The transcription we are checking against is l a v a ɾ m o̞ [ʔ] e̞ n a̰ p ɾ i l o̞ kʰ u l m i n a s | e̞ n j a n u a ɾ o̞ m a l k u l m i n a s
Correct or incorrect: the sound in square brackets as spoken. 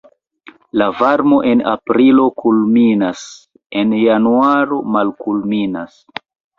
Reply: correct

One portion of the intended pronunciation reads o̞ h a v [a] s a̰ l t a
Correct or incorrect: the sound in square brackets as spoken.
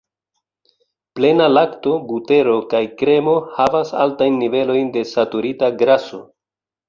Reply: correct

